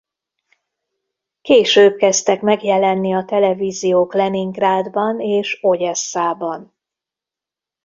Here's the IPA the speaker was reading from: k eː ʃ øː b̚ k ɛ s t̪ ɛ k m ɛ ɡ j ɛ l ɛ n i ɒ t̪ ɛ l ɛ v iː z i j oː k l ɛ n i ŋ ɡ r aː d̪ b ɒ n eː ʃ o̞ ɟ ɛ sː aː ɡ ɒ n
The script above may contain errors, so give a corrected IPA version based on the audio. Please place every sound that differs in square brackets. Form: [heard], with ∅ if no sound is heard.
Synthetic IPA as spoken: k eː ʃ øː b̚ k ɛ s t̪ ɛ k m ɛ ɡ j ɛ l ɛ [nː] i ɒ t̪ ɛ l ɛ v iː z i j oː k l ɛ n i ŋ ɡ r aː d̪ b ɒ n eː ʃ o̞ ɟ ɛ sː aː [b] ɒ n